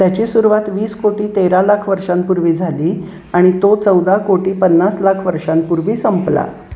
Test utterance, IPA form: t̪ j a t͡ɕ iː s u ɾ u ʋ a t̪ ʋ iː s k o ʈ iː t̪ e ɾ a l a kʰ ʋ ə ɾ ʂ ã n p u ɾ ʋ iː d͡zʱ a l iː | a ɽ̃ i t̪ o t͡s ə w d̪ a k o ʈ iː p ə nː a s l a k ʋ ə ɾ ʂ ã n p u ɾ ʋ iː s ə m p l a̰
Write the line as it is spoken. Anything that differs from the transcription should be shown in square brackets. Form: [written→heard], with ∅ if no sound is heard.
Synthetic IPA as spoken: t̪ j a t͡ɕ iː s u ɾ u ʋ a t̪ ʋ iː s k o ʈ iː t̪ e ɾ a l a kʰ ʋ ə ɾ ʂ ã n p u ɾ ʋ iː d͡zʱ a l iː | a ɽ̃ i t̪ o t͡s ə w d̪ a k o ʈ iː p ə nː a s l a [k→kʰ] ʋ ə ɾ ʂ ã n p u ɾ ʋ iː s ə m p l a̰